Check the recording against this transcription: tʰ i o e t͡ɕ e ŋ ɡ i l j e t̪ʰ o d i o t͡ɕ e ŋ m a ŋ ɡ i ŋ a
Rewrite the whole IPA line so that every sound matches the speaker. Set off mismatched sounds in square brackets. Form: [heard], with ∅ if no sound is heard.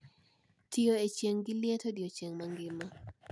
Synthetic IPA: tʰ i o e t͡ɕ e ŋ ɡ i l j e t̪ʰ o d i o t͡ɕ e ŋ m a ŋ ɡ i [m] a